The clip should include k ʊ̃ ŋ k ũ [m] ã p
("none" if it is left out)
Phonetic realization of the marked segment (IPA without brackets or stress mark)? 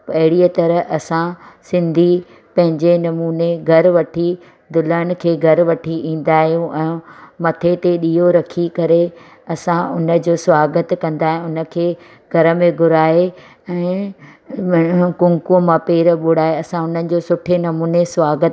m